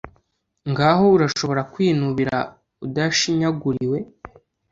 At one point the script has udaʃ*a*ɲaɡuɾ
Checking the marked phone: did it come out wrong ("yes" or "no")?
yes